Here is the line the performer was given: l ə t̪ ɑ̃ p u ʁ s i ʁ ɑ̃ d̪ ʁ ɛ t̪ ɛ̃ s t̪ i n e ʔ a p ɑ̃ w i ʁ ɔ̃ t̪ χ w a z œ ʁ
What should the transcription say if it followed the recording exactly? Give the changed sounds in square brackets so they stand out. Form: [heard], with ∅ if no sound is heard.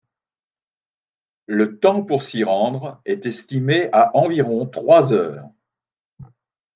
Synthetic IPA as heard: l ə t̪ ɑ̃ p u ʁ s i ʁ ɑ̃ d̪ ʁ ɛ t̪ [ɛ] s t̪ i [m] e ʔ a [ʔ] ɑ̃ [v] i ʁ ɔ̃ t̪ χ w a z [œː] ʁ